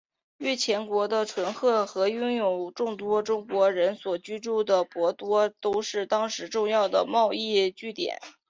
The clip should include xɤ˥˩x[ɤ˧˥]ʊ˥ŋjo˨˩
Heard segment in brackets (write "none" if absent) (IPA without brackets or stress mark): ɤ˧˥